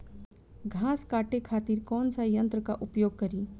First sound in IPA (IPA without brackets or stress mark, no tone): ɡʱ